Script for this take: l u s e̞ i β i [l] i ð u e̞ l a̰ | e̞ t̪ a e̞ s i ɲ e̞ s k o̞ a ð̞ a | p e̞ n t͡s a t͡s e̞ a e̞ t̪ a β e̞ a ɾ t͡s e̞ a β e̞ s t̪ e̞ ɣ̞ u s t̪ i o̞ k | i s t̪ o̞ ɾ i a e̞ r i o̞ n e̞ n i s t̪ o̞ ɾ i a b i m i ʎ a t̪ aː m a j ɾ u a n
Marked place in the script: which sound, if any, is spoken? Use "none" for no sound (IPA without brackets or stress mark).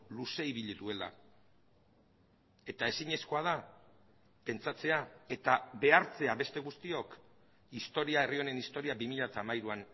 ʎ